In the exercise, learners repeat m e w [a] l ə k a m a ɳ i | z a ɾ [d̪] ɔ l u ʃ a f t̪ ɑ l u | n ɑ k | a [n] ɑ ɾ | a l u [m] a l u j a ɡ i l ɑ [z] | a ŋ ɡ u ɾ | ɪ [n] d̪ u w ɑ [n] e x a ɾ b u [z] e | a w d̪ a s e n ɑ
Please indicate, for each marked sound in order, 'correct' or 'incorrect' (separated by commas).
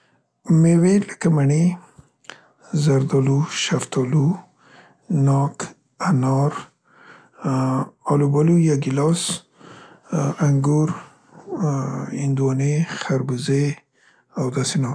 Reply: incorrect, correct, correct, incorrect, incorrect, correct, correct, correct